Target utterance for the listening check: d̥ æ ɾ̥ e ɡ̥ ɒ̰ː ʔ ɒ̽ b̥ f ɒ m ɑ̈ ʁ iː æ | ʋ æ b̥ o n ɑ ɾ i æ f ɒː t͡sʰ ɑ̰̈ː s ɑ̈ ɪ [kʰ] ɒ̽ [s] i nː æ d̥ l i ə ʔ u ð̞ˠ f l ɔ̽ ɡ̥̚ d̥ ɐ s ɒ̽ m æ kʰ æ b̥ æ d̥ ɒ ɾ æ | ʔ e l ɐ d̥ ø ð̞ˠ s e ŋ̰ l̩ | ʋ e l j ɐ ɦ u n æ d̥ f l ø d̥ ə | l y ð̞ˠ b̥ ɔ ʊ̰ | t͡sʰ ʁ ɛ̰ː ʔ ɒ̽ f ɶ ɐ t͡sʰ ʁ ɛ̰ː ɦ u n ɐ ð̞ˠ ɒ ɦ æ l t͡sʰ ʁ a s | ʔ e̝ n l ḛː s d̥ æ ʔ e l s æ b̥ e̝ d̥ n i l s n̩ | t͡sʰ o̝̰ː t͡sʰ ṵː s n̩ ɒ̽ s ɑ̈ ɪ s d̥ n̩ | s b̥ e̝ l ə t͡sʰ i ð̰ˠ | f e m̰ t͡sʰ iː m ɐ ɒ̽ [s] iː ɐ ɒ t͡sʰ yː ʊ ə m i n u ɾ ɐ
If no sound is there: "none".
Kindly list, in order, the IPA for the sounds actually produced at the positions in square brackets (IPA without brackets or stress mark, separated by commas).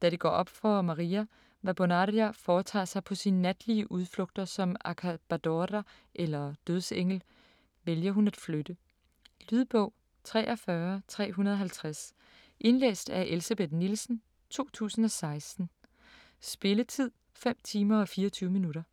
pʰ, s, f